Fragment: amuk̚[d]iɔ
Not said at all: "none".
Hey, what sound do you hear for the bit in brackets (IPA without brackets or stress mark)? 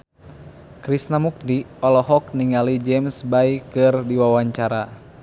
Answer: d